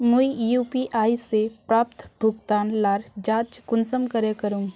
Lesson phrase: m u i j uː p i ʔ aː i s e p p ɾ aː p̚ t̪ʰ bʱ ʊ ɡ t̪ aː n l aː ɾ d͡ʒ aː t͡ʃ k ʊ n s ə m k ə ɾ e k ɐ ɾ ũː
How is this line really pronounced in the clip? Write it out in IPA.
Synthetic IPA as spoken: m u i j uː p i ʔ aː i s e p p ɾ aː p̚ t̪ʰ bʱ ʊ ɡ t̪ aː n l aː ɾ d͡ʒ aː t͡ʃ k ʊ n s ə m k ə ɾ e k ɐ ɾ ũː